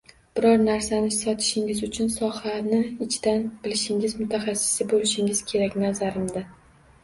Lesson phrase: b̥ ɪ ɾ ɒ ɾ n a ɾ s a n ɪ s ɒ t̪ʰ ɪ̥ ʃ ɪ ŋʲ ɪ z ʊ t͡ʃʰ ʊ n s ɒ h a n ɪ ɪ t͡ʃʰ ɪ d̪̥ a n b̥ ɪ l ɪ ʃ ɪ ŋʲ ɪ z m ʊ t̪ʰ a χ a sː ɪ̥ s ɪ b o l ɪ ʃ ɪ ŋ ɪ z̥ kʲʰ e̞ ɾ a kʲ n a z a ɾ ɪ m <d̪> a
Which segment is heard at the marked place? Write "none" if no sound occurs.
d̪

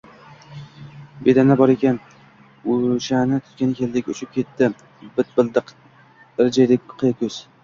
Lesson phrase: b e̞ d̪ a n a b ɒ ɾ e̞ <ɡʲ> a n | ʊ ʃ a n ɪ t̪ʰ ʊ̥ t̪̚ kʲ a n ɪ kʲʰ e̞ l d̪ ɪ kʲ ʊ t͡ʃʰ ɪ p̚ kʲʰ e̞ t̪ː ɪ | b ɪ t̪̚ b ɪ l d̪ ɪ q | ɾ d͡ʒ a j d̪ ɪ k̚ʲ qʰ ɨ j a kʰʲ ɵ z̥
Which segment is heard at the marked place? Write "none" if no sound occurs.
kʲ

